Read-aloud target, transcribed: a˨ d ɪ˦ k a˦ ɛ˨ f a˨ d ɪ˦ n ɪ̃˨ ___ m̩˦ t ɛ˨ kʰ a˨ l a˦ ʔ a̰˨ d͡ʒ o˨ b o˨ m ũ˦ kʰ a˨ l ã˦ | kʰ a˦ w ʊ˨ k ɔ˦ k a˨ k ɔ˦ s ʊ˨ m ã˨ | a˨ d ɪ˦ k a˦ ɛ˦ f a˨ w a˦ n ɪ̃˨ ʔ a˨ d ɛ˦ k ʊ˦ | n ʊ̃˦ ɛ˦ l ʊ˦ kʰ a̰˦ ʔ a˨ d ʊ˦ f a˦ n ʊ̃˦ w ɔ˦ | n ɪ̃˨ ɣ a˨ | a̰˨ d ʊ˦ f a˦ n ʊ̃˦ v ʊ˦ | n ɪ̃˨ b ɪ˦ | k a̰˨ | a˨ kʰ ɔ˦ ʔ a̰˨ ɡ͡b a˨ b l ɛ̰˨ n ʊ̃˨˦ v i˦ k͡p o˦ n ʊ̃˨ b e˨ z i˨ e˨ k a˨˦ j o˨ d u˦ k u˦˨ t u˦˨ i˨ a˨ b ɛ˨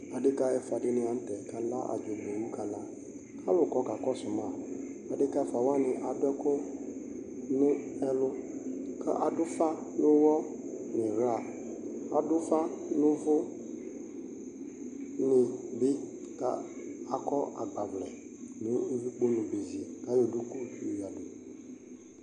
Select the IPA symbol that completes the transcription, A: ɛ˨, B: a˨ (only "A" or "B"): B